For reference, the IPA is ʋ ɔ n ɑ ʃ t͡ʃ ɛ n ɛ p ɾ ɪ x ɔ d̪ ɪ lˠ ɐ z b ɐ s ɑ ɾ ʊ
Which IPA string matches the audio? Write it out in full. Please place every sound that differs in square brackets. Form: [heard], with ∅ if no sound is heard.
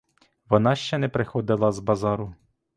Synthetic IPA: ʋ ɔ n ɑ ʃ t͡ʃ ɛ n ɛ p ɾ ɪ x ɔ d̪ ɪ lˠ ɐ z b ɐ [z] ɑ ɾ ʊ